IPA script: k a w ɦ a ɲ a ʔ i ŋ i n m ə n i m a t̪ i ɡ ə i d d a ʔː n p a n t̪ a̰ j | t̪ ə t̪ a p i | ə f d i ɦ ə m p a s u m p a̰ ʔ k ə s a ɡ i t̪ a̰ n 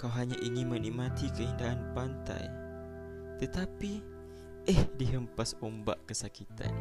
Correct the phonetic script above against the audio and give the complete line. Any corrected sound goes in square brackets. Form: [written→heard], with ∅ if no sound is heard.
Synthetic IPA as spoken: k a w ɦ a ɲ a ʔ i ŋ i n m ə n i m a t̪ i [ɡ→k] ə i [d→n] d a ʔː n p a n t̪ a̰ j | t̪ ə t̪ a p i | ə [f→h] d i ɦ ə m p a s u m [p→b] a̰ ʔ k ə s a [ɡ→k] i t̪ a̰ n